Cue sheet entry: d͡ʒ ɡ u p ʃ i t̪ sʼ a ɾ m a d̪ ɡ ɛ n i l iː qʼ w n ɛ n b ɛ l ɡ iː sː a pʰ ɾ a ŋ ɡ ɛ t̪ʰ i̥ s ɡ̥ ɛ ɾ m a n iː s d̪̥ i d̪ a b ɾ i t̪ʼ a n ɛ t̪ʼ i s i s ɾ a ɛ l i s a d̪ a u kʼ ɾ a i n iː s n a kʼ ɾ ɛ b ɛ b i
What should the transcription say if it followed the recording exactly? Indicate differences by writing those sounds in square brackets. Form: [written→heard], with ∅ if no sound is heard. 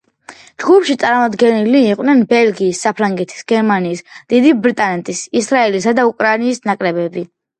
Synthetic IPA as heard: d͡ʒ ɡ u p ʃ i t̪ sʼ a ɾ m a d̪ ɡ ɛ n i l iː qʼ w n ɛ n b ɛ l ɡ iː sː a pʰ ɾ a ŋ ɡ ɛ t̪ʰ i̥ s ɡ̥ ɛ ɾ m a n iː s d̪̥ i d̪ [a→i] b ɾ i t̪ʼ a n ɛ t̪ʼ i s i s ɾ a ɛ l i s a d̪ a u kʼ ɾ a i n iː s n a kʼ ɾ ɛ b ɛ b i

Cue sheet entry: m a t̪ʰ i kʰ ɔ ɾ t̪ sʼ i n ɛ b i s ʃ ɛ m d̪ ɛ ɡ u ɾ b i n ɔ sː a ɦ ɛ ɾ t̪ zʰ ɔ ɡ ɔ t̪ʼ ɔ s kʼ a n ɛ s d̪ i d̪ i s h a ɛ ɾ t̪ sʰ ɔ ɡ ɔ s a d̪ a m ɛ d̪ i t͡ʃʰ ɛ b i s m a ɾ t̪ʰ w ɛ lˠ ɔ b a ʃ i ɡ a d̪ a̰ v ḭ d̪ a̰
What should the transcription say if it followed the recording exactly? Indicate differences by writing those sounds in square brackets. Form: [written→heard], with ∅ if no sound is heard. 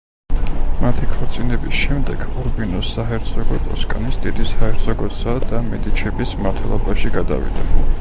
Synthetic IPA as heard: m a t̪ʰ i kʰ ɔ ɾ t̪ sʼ i n ɛ b i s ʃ ɛ m d̪ ɛ ɡ u ɾ b i n ɔ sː a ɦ ɛ ɾ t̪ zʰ ɔ ɡ ɔ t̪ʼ ɔ s kʼ a n [ɛ→i] s d̪ i d̪ i s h a ɛ ɾ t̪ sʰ ɔ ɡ ɔ s a d̪ a m ɛ d̪ i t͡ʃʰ ɛ b i s m a ɾ t̪ʰ w ɛ lˠ ɔ b a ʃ i ɡ a d̪ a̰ v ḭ d̪ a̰

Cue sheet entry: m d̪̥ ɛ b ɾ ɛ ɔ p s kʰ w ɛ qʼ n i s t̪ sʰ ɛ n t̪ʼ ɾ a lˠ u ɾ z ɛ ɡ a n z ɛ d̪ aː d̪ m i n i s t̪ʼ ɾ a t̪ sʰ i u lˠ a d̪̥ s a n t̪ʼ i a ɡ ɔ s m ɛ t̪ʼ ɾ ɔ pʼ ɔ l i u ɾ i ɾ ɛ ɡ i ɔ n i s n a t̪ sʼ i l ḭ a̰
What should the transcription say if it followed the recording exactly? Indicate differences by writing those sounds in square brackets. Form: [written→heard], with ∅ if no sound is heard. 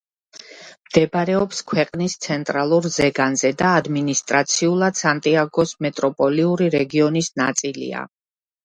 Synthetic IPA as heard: m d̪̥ ɛ b ɾ ɛ ɔ p s kʰ w ɛ qʼ n i s t̪ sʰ ɛ n t̪ʼ ɾ a lˠ u ɾ z ɛ ɡ a n z ɛ d̪ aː d̪ m i n i s t̪ʼ ɾ a t̪ sʰ i u lˠ a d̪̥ s a n t̪ʼ i a ɡ ɔ s m ɛ t̪ʼ ɾ ɔ pʼ ɔ l i u ɾ i ɾ ɛ ɡ i ɔ n i s n a t̪ sʼ i l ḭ a̰

